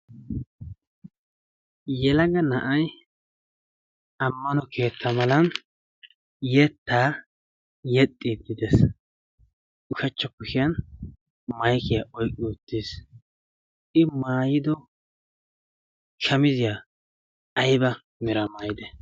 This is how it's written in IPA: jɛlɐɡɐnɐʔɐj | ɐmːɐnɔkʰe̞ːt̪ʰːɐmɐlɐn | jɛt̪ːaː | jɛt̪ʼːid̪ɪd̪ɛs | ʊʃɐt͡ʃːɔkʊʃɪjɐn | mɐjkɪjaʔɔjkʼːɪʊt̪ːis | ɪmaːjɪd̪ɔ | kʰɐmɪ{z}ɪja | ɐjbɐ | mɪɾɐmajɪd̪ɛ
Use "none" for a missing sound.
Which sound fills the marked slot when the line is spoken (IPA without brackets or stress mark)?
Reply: z